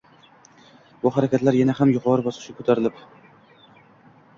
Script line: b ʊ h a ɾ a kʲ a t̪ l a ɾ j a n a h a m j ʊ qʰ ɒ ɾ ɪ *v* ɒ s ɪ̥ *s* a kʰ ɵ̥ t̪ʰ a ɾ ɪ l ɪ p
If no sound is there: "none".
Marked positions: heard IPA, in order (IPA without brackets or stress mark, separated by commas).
b, ʃ